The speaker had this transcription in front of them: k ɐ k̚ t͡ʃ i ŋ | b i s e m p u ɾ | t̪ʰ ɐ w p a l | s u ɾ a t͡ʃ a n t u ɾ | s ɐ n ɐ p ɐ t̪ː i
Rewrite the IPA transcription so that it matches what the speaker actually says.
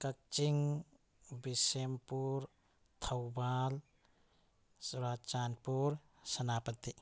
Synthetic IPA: k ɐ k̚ t͡ʃ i ŋ | b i s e m p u ɾ | t̪ʰ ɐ w b a l | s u ɾ a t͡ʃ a n p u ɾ | s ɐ n a p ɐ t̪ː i